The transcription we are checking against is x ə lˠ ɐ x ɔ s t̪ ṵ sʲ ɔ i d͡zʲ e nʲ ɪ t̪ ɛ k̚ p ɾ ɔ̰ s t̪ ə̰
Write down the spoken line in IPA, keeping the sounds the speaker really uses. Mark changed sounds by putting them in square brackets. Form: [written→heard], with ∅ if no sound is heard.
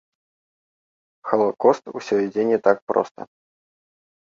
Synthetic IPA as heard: x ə lˠ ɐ [x→k] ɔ s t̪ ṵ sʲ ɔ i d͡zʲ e nʲ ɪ t̪ [ɛ→a] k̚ p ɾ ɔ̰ s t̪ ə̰